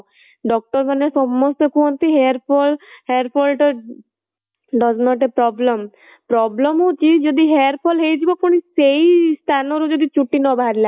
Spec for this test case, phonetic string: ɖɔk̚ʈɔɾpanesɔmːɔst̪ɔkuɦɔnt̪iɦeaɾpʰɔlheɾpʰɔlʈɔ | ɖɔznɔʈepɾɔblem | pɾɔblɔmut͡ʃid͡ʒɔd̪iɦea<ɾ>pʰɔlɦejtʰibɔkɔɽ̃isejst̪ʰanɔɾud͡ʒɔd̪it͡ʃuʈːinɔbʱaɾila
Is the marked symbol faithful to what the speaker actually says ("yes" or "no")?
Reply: yes